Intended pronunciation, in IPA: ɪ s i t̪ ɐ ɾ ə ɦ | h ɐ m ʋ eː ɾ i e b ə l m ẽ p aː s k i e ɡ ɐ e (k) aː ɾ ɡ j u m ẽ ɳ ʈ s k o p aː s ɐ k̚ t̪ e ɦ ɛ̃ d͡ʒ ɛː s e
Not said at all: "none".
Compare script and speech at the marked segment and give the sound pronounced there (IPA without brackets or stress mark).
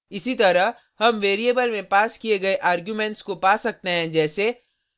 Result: ʔ